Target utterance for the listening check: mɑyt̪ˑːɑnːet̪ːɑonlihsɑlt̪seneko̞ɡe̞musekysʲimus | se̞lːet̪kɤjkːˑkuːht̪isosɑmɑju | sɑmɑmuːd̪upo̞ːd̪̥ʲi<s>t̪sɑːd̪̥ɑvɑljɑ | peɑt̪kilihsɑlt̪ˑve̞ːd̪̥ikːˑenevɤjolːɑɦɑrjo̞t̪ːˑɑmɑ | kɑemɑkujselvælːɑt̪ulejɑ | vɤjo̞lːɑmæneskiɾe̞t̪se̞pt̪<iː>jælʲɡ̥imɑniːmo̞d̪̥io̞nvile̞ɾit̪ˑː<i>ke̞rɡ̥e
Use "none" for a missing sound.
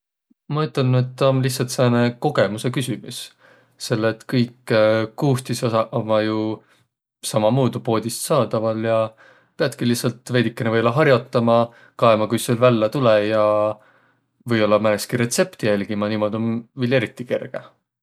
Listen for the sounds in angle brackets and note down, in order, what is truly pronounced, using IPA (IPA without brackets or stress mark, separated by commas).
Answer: s, i, i